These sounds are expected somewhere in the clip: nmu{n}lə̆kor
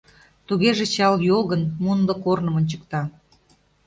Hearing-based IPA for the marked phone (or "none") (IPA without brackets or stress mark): n